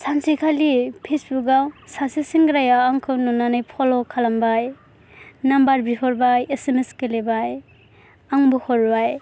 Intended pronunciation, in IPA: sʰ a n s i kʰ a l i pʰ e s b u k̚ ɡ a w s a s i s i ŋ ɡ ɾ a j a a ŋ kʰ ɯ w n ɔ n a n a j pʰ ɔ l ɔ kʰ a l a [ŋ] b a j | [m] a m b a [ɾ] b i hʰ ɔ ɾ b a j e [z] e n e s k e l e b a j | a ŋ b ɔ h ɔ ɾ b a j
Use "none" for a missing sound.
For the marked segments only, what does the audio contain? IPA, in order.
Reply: m, n, ɾ, s

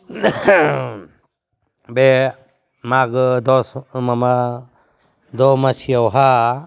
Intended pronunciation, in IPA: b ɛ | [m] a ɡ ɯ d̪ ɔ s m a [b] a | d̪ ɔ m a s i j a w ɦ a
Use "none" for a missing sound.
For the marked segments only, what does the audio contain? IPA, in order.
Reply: m, m

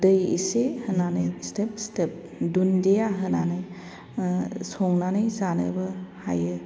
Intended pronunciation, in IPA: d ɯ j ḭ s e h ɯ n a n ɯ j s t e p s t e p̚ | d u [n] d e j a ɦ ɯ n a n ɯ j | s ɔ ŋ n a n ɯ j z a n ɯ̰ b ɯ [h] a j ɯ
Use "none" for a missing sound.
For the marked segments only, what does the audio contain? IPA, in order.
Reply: n, h

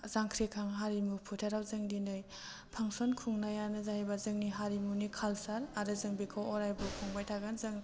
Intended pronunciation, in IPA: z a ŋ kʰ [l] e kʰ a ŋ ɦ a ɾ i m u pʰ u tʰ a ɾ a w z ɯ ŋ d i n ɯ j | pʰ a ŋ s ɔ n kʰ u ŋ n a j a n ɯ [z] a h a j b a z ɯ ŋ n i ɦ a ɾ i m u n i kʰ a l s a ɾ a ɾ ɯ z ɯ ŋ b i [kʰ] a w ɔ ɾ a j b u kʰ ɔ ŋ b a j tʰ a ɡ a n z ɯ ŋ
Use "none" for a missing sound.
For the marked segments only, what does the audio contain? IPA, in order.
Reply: ɾ, z, kʰ

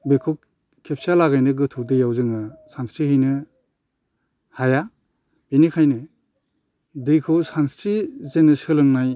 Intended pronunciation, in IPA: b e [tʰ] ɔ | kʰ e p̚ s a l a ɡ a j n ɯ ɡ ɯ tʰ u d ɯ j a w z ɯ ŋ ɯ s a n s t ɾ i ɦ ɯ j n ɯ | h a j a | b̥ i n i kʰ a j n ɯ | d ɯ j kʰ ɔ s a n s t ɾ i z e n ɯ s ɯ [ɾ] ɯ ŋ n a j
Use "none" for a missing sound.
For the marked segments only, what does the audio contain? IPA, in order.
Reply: kʰ, l

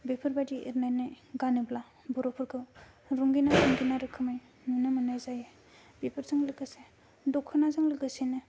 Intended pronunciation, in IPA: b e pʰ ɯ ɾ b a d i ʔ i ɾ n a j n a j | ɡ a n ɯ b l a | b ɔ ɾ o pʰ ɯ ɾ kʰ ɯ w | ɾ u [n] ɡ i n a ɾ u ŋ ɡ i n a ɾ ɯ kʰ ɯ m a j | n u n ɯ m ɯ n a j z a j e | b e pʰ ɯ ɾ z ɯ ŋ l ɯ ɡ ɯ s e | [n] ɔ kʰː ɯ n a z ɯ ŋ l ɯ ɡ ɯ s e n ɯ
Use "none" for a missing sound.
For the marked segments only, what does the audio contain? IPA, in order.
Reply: ŋ, d

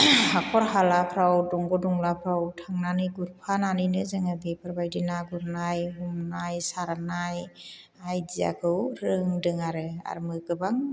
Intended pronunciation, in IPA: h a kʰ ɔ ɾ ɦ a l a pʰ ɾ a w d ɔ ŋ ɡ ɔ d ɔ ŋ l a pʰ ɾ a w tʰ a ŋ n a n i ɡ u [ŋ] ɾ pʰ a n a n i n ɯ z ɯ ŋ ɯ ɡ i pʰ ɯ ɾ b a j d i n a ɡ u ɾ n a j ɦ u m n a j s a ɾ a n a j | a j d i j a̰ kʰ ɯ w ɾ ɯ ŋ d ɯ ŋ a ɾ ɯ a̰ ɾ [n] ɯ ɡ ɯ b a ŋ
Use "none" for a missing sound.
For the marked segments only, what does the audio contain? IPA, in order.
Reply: none, m

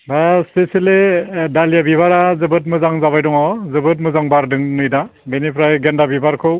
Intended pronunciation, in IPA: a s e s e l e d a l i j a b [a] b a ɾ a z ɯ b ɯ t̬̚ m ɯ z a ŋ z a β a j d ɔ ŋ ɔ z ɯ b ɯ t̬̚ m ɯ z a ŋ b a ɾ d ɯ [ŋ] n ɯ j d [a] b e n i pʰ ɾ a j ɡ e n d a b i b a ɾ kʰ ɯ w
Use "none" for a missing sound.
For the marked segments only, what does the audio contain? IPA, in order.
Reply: i, ŋ, a

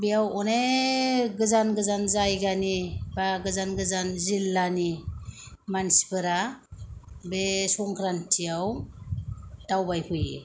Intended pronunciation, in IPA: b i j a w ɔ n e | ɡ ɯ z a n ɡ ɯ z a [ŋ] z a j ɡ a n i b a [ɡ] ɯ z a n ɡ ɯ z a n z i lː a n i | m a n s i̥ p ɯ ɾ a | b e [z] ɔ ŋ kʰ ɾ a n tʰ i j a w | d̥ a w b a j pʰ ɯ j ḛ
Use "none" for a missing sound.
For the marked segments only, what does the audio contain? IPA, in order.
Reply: n, ɡ, s

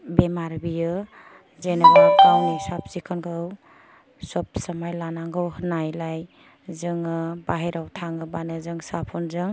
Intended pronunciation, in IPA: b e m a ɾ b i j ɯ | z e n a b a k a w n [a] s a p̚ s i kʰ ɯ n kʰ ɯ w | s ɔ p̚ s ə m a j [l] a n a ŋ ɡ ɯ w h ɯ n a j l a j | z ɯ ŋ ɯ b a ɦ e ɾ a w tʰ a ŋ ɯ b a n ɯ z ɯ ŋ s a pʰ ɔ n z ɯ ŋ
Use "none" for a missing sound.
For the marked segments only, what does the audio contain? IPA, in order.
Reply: i, l

